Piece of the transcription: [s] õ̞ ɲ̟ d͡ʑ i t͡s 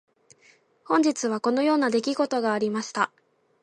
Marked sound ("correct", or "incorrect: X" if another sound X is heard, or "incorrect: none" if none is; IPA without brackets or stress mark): incorrect: h